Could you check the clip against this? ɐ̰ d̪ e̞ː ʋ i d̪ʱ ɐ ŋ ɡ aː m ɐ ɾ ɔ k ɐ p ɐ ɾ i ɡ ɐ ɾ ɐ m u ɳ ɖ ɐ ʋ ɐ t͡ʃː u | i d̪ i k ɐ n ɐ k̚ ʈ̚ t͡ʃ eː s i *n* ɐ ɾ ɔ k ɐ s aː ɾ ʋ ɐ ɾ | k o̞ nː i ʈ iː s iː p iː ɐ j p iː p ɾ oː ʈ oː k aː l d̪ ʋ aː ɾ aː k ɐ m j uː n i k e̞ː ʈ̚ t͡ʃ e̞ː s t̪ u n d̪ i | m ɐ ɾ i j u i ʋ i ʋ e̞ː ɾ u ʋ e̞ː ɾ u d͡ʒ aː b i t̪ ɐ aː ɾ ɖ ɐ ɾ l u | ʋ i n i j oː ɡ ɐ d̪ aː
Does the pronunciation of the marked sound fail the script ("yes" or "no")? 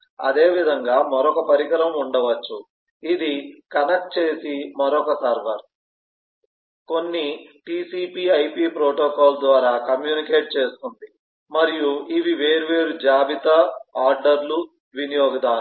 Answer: yes